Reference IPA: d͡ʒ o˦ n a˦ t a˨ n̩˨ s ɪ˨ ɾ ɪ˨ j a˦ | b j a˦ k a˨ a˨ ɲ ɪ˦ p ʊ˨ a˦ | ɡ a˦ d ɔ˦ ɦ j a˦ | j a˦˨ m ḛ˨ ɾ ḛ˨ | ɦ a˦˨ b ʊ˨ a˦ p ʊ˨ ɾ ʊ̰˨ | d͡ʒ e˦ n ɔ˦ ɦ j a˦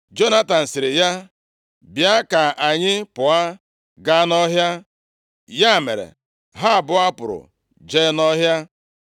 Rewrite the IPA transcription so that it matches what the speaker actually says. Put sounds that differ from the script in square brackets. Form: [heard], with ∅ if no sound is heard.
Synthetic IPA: d͡ʒ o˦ n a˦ t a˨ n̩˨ s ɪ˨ ɾ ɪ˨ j a˦ | b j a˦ k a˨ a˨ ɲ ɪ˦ p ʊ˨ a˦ | ɡ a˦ [n] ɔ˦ ɦ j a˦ | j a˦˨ m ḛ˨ ɾ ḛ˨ | ɦ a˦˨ b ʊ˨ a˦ p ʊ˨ ɾ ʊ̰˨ | d͡ʒ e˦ n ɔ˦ ɦ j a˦